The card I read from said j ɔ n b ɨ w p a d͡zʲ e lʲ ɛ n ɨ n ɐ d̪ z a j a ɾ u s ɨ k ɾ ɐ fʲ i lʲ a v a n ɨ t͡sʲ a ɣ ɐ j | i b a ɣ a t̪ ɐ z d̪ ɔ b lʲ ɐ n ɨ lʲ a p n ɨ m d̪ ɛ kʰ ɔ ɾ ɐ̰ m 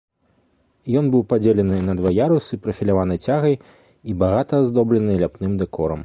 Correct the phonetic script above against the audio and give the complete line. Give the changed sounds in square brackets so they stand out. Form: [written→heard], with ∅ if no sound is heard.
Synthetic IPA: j ɔ n b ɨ w p a d͡zʲ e lʲ ɛ n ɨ n ɐ d̪ [z→v] a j a ɾ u s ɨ [k→p] ɾ ɐ fʲ i lʲ a v a n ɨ t͡sʲ a ɣ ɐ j | i b a ɣ a t̪ ɐ z d̪ ɔ b lʲ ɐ n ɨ lʲ a p n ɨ m d̪ ɛ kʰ ɔ ɾ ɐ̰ m